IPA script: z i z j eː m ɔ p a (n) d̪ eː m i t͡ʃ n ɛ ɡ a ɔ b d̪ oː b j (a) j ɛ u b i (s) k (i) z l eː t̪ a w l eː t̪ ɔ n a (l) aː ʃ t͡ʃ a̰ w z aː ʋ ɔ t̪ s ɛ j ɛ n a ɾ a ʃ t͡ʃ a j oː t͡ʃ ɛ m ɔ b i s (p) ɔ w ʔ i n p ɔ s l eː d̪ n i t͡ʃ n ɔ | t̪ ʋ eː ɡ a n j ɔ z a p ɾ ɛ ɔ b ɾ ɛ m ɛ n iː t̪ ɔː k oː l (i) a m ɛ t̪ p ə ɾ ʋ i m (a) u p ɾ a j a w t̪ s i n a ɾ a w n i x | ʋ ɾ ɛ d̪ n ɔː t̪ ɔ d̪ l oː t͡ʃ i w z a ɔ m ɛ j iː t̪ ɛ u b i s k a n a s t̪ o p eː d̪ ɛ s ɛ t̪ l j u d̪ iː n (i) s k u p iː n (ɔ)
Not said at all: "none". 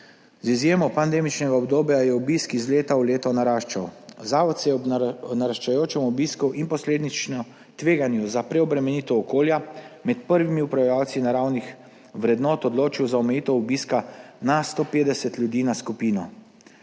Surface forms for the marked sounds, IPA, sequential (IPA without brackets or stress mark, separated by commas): n, a, s, i, ɾ, k, j, i, a, ɔ